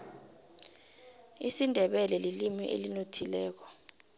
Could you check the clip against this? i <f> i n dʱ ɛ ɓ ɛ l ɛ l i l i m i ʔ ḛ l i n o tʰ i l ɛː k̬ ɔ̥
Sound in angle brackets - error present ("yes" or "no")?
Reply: yes